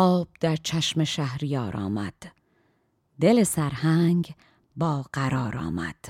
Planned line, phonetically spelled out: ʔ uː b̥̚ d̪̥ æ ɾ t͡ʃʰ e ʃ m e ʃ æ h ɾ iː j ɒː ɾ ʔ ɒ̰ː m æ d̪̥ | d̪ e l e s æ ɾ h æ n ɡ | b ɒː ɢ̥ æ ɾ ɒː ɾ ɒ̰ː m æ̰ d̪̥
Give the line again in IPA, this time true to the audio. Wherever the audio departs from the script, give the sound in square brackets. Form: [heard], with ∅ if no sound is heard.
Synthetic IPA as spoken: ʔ [ɒː] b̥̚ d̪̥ æ ɾ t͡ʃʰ [æ] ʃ m e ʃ æ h ɾ [i] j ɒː ɾ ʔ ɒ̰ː m æ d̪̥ | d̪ e l e s æ ɾ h æ [ŋ] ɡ | b ɒː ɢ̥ æ ɾ ɒː ɾ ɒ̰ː m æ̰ d̪̥